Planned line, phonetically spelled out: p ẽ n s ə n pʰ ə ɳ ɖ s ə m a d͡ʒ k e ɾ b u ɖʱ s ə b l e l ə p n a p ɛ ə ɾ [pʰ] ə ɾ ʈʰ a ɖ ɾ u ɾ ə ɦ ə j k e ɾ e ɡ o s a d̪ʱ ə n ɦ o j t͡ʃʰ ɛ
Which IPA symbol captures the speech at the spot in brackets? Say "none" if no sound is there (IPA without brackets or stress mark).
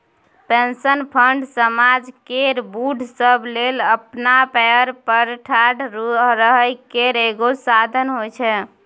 p